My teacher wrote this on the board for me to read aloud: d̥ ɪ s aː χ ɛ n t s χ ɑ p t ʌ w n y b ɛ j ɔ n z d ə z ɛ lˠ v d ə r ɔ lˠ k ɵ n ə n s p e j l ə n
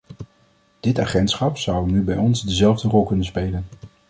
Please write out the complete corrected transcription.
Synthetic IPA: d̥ ɪ t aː χ ɛ n t s χ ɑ p s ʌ w n y b ɛ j ɔ n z d ə z ɛ lˠ v d ə r ɔ lˠ k ɵ n ə n s p e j l ə n